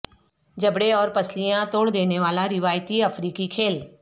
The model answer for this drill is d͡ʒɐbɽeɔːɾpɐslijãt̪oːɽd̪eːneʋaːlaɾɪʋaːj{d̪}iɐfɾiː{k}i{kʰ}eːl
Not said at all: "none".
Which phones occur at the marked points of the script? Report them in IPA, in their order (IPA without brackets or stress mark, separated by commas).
t̪, k, kʰ